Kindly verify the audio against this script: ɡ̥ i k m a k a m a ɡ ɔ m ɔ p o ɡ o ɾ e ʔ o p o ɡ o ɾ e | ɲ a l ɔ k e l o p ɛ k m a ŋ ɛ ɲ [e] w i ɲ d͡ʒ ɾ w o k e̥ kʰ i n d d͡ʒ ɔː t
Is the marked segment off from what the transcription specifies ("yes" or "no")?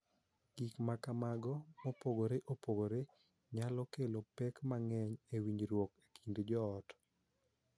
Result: no